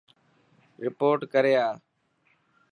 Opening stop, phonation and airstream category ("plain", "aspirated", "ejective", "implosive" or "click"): plain